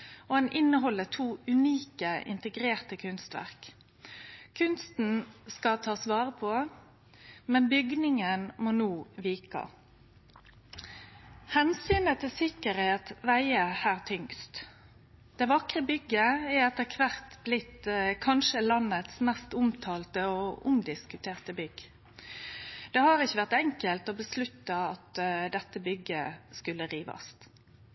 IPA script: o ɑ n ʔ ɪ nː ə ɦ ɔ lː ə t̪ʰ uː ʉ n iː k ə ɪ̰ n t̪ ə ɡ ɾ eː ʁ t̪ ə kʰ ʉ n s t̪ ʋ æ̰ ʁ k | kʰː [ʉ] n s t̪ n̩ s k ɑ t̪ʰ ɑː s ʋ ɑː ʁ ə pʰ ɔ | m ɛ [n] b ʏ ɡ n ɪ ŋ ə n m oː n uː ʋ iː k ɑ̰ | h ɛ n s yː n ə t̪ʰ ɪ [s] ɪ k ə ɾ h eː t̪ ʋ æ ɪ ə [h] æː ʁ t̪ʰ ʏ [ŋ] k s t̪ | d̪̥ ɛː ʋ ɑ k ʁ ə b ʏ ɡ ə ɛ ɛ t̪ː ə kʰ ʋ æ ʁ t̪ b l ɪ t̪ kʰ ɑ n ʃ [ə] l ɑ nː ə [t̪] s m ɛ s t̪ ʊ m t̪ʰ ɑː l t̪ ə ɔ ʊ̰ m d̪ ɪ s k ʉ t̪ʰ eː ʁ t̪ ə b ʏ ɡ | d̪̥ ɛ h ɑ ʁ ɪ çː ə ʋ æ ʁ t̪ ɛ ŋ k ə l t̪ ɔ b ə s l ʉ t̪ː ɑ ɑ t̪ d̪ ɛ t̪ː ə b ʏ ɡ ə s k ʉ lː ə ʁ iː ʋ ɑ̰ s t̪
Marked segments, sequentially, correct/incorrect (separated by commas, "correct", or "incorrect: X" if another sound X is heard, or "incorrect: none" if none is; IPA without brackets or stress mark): correct, correct, correct, correct, correct, correct, correct